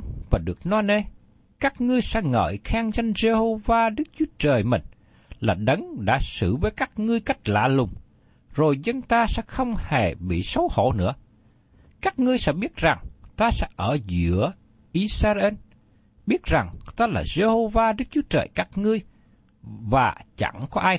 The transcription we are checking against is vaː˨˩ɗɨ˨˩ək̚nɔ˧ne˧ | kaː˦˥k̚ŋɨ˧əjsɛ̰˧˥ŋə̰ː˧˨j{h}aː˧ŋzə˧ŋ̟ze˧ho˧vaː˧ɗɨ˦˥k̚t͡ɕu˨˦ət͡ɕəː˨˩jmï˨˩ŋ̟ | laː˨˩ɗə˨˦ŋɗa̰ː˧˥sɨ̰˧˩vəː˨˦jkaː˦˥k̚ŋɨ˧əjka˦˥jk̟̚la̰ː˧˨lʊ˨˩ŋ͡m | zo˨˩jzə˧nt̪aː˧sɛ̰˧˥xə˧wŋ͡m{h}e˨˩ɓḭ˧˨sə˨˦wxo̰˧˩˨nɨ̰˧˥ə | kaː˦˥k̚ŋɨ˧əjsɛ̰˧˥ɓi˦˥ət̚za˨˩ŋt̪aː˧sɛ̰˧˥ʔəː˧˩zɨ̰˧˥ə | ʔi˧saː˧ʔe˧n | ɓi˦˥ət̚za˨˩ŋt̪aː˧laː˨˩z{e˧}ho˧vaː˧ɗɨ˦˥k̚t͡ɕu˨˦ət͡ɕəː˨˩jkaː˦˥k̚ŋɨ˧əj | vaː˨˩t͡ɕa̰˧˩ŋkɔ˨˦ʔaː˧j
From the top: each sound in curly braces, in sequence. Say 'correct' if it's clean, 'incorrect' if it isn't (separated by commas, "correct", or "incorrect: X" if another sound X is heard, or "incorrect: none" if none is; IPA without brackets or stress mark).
incorrect: x, correct, correct